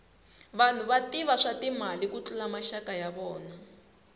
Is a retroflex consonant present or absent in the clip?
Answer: present